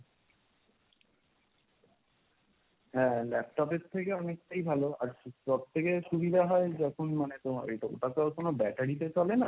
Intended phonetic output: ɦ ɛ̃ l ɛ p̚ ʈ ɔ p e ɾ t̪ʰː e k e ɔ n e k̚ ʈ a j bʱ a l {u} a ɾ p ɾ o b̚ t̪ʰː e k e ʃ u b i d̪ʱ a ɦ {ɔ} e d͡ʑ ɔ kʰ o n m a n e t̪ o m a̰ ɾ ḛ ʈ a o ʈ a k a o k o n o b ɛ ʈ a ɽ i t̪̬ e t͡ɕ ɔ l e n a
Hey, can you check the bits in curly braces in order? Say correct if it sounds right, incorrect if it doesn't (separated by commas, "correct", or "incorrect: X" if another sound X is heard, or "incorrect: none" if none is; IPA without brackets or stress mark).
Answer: incorrect: o, correct